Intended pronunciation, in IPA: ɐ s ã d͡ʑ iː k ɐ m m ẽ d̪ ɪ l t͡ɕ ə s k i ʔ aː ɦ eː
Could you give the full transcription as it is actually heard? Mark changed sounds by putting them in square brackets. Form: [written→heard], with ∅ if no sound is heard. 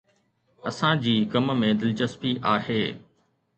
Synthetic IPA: ɐ s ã d͡ʑ iː k ɐ m m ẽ d̪ ɪ l t͡ɕ ə s [k→p] i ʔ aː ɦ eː